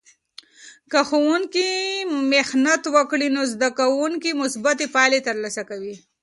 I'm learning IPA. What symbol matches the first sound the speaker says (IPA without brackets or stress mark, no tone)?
k